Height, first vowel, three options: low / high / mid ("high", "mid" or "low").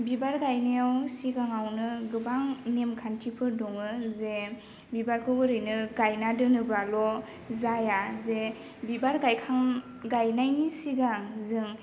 high